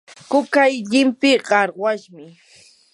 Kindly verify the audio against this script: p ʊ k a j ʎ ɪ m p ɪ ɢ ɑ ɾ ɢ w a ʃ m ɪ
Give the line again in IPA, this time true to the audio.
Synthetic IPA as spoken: k ʊ k a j ʎ ɪ m p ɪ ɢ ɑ ɾ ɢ w a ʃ m ɪ